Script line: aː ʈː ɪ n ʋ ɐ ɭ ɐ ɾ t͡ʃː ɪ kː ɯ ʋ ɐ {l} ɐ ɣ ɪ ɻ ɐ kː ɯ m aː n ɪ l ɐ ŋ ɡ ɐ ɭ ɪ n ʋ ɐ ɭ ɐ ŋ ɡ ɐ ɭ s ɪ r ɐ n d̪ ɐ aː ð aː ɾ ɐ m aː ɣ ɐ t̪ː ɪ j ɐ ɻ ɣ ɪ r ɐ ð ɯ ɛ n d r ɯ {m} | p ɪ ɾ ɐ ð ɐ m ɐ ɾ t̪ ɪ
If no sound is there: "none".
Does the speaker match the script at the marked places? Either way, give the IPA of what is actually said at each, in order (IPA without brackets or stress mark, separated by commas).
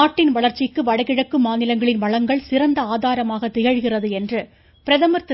ɽ, none